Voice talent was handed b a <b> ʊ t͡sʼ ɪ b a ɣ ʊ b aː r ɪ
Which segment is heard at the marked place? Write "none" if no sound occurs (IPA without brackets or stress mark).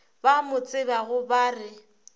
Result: m